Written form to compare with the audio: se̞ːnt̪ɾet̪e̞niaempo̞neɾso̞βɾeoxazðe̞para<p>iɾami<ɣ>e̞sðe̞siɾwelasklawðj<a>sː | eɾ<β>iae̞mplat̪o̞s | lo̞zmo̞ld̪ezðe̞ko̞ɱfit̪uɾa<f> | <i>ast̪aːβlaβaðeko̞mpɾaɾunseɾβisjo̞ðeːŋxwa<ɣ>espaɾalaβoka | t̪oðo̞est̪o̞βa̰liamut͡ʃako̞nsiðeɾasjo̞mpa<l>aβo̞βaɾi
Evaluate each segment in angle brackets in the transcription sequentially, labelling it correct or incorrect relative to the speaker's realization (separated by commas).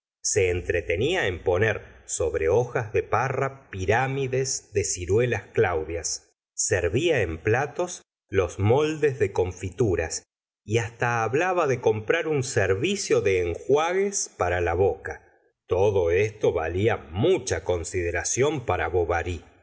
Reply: correct, incorrect, correct, correct, incorrect, correct, correct, incorrect